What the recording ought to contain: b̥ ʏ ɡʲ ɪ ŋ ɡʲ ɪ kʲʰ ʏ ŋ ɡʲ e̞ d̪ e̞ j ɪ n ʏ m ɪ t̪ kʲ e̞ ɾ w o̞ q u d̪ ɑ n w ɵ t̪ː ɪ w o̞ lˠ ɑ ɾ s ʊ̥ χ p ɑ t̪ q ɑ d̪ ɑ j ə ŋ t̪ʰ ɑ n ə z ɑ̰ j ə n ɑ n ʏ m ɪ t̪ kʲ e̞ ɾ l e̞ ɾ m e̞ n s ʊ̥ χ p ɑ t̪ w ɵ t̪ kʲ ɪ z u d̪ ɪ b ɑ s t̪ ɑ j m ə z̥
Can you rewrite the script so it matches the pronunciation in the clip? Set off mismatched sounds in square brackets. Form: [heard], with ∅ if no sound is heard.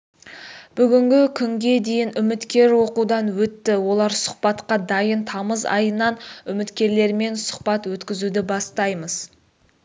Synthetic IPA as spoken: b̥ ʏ ɡʲ ɪ ŋ ɡʲ ɪ kʲʰ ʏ ŋ ɡʲ e̞ d̪ e̞ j ɪ n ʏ m ɪ t̪ kʲ e̞ ɾ w o̞ q u d̪ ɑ n w ɵ t̪ː ɪ w o̞ lˠ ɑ ɾ s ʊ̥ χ p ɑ t̪ q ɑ d̪ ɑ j ə [n] t̪ʰ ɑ [m] ə z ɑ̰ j ə n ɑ n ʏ m ɪ t̪ kʲ e̞ ɾ l e̞ ɾ m e̞ n s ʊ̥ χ p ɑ t̪ w ɵ t̪ kʲ ɪ z u d̪ ɪ b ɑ s t̪ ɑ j m ə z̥